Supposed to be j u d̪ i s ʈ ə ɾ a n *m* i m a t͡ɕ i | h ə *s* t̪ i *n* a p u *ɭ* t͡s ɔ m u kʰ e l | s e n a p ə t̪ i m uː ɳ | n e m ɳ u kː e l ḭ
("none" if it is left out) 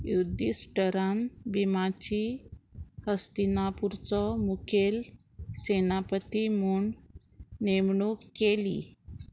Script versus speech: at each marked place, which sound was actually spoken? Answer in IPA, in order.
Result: b, s, n, ɾ

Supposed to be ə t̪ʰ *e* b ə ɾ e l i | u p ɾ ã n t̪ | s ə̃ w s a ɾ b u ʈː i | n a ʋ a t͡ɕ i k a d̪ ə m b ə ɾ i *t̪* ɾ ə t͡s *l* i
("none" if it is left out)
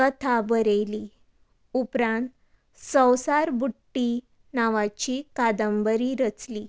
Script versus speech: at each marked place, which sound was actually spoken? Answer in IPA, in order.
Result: a, none, l

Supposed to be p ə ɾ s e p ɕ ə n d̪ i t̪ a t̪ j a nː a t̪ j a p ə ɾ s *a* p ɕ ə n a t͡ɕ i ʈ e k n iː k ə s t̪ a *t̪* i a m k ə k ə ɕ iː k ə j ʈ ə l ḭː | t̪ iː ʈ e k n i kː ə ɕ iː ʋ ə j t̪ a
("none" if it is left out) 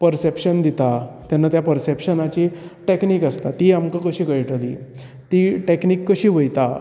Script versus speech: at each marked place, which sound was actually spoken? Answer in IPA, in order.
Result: e, t̪

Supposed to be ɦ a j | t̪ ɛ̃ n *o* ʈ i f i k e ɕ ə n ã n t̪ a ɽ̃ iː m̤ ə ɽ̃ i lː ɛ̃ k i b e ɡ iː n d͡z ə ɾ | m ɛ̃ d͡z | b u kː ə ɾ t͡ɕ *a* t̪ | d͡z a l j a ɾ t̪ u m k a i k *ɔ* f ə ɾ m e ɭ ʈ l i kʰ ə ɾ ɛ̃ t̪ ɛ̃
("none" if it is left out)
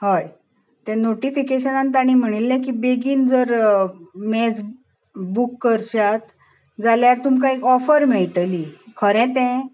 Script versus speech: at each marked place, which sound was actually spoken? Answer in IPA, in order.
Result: o, a, ɔ

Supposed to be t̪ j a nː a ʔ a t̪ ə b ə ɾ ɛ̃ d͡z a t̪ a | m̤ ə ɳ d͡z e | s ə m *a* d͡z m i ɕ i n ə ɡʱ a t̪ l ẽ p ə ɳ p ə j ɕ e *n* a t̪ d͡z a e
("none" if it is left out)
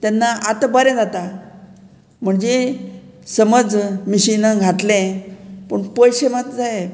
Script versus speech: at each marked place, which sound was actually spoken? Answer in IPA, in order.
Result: ə, m

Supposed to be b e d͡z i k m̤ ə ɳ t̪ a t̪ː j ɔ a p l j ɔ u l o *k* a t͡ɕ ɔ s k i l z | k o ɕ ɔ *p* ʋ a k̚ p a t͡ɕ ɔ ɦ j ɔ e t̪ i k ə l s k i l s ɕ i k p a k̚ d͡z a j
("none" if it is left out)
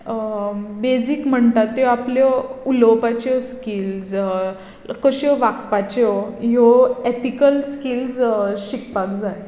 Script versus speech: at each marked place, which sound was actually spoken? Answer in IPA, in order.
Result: p, none

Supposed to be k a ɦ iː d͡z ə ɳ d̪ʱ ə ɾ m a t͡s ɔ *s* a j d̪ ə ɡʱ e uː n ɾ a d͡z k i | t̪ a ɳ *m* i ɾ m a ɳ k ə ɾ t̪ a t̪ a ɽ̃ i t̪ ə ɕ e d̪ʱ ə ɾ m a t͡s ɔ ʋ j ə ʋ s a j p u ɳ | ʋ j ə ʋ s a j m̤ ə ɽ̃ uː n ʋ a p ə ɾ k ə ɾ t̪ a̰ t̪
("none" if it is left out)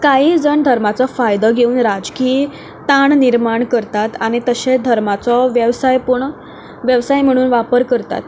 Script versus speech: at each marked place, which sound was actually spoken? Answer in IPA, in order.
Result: f, n

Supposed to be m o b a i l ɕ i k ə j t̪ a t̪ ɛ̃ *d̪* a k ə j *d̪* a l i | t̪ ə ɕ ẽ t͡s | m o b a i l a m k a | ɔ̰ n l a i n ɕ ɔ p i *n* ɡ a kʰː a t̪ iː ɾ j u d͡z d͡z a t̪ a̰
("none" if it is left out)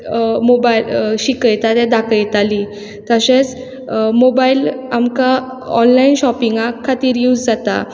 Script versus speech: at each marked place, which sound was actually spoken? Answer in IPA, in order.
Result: d̪, t̪, ŋ

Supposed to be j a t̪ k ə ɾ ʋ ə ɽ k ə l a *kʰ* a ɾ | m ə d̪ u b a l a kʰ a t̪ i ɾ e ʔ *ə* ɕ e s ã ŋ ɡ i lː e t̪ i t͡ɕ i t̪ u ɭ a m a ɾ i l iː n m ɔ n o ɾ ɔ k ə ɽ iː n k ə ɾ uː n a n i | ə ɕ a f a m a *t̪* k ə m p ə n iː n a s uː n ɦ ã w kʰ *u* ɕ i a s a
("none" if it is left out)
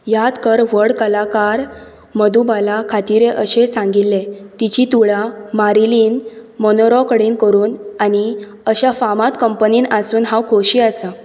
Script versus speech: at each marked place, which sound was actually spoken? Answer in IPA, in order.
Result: k, ə, t̪, o

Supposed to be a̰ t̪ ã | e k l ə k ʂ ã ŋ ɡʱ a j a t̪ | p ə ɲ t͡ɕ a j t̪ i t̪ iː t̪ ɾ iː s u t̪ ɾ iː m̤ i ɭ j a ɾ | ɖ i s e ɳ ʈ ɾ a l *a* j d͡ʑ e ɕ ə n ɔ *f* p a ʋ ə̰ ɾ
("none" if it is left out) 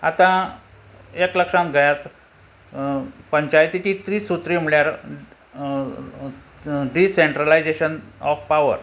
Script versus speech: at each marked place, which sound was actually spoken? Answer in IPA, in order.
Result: a, f

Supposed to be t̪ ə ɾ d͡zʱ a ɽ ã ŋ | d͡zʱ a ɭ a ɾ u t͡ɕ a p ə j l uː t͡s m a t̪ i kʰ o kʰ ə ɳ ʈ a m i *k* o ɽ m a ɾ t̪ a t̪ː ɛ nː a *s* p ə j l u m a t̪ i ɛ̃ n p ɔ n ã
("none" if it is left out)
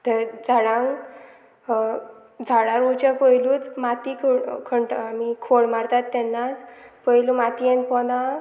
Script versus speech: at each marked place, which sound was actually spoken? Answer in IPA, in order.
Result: kʰ, t͡s

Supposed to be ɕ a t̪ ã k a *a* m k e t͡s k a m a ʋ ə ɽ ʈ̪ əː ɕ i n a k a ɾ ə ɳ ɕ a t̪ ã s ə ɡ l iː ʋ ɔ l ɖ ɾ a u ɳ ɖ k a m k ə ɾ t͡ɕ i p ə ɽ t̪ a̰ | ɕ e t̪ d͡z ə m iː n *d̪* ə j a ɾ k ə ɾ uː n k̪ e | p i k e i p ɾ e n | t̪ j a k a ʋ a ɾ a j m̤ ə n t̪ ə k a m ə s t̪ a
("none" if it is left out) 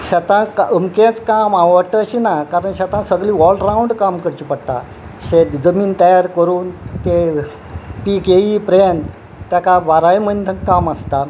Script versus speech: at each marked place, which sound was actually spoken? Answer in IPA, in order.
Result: ə, t̪

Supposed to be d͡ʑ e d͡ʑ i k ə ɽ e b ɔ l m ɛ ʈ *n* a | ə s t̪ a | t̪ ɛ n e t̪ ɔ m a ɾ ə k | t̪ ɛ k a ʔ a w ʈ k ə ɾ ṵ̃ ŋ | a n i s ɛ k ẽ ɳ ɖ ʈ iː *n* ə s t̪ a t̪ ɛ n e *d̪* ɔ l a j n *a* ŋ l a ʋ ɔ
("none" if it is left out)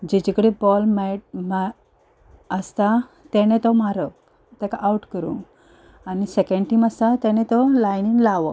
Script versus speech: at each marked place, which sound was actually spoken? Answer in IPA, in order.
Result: m, m, t̪, i

